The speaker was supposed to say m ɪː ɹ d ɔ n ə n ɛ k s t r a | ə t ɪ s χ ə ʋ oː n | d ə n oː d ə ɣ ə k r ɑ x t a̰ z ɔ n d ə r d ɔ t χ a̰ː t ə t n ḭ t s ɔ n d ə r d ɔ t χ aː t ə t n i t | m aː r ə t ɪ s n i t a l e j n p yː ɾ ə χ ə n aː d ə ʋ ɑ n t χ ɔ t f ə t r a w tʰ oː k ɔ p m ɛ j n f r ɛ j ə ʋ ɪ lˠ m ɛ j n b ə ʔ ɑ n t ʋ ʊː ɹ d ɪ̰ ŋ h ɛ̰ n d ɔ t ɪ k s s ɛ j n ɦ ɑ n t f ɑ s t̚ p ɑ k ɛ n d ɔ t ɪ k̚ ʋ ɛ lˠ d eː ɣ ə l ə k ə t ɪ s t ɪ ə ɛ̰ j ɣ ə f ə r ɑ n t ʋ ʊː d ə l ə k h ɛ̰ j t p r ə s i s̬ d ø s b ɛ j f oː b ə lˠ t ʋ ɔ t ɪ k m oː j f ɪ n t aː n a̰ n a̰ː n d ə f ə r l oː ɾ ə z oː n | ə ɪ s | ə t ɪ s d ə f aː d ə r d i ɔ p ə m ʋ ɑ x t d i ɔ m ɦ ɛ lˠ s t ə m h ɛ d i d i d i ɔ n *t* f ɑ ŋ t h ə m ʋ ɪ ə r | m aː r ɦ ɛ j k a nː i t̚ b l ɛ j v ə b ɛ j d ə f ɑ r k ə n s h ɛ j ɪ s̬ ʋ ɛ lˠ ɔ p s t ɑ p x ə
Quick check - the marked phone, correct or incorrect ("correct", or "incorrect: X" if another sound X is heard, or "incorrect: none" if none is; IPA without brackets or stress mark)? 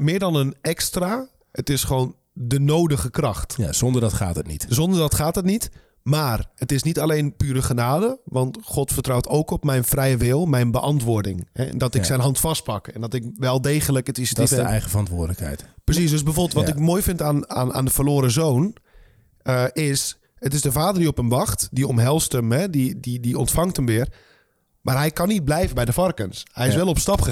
correct